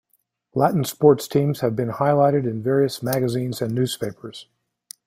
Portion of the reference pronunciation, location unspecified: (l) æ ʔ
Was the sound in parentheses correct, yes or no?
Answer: yes